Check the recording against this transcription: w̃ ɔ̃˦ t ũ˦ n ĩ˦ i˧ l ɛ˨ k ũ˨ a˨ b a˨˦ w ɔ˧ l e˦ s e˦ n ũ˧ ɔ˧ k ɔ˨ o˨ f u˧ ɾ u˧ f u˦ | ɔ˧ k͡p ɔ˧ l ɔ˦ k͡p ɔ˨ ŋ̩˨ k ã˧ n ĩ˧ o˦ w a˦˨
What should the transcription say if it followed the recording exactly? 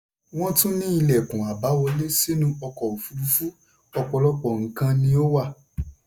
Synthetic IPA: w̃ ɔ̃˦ t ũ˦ n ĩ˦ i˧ l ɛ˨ k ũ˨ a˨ b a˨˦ w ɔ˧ l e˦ s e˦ n ũ˧ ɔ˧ k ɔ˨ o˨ f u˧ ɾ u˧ f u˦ | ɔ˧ k͡p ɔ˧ l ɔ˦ k͡p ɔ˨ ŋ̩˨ k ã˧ n ĩ˧ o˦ w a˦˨